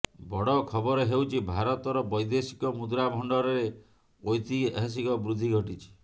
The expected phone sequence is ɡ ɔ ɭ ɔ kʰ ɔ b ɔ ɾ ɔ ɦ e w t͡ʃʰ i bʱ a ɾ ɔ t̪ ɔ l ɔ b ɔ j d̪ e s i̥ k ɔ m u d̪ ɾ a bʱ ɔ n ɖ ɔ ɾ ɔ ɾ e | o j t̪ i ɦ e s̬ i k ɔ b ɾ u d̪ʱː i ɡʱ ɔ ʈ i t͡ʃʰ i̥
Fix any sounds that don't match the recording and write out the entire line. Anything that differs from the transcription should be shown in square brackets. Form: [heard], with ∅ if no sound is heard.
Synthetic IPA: [b] ɔ [ɽ] ɔ kʰ ɔ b ɔ ɾ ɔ ɦ e w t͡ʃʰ i bʱ a ɾ ɔ t̪ ɔ [ɾ] ɔ b ɔ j d̪ e s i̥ k ɔ m u d̪ ɾ a bʱ ɔ [ɳ] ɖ ɔ ɾ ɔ ɾ e | o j t̪ i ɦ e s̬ i k ɔ b ɾ u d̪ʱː i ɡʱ ɔ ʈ i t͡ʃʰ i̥